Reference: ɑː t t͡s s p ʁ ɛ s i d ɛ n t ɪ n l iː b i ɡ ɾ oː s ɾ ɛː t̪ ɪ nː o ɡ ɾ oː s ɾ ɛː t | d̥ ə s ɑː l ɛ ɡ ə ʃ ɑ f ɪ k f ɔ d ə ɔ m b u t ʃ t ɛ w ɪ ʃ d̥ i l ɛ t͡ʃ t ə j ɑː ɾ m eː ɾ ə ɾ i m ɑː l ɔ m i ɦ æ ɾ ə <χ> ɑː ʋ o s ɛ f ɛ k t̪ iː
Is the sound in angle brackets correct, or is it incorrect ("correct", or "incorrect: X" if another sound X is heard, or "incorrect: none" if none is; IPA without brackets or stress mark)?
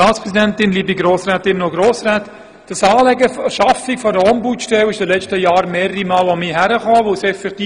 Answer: correct